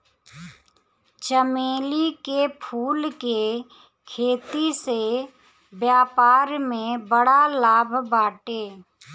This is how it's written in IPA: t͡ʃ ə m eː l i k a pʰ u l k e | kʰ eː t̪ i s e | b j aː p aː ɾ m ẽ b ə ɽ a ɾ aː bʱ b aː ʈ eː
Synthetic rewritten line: t͡ʃ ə m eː l i k e pʰ uː l k e | kʰ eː t̪ i s e | b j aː p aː ɾ m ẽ b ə ɽ a l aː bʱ b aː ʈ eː